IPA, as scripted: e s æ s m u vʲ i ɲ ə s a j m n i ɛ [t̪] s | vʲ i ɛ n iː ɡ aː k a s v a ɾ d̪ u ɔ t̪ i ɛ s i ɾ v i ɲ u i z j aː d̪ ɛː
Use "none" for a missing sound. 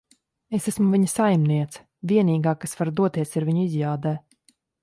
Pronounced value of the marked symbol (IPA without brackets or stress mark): t̪